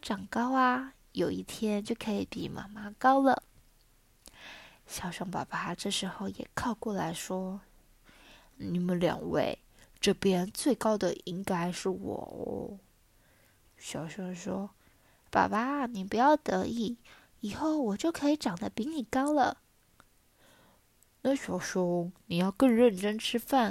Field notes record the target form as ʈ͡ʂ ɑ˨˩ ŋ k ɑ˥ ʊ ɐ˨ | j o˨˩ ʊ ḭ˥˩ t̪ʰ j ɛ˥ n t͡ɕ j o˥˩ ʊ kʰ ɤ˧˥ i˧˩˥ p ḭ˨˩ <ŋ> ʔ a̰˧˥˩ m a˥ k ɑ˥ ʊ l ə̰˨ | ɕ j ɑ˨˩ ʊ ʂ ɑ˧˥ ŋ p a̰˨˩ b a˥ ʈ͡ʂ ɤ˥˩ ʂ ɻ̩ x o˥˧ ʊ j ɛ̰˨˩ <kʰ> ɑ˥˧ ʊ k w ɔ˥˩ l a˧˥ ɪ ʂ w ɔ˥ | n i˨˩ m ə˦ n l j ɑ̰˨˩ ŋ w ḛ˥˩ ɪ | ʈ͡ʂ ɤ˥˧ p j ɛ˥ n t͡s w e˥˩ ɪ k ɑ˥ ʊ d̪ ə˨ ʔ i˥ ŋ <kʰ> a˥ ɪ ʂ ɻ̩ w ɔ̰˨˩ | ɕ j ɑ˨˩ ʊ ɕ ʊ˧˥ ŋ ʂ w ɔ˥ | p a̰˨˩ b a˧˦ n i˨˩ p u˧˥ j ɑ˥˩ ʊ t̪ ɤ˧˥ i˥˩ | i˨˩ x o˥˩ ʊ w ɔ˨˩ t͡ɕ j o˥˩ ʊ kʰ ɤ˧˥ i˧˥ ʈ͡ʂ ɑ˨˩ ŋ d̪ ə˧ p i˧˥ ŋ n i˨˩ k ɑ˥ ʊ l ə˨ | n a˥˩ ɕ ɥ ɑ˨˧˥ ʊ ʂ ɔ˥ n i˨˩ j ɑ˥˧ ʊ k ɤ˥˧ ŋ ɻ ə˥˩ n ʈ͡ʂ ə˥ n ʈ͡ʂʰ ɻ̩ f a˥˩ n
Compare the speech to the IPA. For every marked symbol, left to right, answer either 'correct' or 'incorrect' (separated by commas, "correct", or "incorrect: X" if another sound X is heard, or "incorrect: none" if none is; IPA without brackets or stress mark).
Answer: incorrect: m, correct, incorrect: k